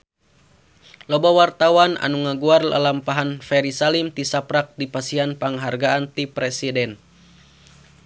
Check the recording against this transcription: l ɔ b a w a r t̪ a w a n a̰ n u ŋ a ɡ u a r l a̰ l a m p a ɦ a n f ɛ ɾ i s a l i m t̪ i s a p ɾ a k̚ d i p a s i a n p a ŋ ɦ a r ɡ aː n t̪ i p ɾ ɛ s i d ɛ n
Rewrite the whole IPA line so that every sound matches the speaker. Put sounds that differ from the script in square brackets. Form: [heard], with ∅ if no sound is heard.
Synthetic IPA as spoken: l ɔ b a w a r t̪ a w a n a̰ n u ŋ a ɡ u a r l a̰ l a m p a ɦ a n f ɛ ɾ i s a l i m t̪ i s a p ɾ a k̚ d i p a s i a n p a ŋ ɦ a r ɡ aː n t̪ i p ɾ ɛ s i d ɛ n